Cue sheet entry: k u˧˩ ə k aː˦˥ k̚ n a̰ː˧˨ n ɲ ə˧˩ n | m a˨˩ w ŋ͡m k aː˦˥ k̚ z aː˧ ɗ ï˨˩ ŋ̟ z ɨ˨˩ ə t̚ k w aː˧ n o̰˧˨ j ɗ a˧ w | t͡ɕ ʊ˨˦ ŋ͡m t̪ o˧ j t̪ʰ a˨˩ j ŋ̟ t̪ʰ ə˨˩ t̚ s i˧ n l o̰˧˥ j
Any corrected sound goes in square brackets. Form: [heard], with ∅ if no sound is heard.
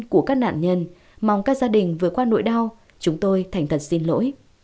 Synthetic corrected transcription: k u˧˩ ə k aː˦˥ k̚ n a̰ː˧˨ n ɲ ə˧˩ n | m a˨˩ w ŋ͡m k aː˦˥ k̚ z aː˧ ɗ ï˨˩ ŋ̟ [v] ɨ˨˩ ə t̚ k w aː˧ n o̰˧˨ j ɗ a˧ w | t͡ɕ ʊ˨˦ ŋ͡m t̪ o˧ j t̪ʰ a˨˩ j ŋ̟ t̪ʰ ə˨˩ t̚ s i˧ n l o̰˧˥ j